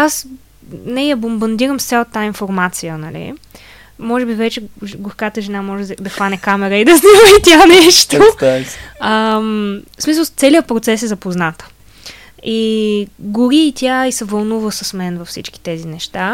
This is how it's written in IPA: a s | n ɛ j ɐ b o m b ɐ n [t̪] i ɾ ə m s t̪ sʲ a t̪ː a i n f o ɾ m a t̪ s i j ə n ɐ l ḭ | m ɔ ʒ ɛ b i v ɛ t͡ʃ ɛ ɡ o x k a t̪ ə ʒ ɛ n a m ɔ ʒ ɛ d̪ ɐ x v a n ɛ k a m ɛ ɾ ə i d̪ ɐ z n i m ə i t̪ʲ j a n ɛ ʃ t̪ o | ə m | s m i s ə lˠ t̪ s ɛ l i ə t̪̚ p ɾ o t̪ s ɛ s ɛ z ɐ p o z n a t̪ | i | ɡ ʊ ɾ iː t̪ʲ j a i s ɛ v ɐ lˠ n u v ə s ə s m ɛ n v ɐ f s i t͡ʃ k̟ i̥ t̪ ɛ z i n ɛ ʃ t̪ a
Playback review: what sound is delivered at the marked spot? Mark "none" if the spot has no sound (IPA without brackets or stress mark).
d̪